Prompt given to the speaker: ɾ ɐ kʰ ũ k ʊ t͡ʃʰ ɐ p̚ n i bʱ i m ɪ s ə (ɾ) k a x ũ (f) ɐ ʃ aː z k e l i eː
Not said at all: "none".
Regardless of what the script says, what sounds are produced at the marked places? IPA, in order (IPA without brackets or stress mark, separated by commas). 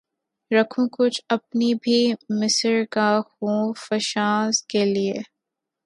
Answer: ɾ, f